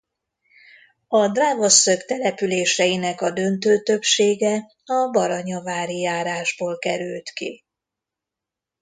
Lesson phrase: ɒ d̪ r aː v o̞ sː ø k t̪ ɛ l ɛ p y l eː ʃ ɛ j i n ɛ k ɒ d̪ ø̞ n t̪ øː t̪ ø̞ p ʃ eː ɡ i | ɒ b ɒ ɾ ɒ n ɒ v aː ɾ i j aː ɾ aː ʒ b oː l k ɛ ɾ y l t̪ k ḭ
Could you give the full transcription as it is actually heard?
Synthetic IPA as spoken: ɒ d̪ r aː v o̞ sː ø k t̪ ɛ l ɛ p y l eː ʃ ɛ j i n ɛ k ɒ d̪ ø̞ n t̪ øː t̪ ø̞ p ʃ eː ɡ ɛ | ɒ b ɒ ɾ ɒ ɲ ɒ v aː ɾ i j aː ɾ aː ʒ b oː l k ɛ ɾ y l t̪ k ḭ